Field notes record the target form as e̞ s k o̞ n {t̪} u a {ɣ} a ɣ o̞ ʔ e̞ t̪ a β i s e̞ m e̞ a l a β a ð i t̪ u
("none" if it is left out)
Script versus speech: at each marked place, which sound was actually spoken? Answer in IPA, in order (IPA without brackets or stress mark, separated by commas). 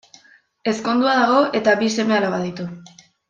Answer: d̪, ð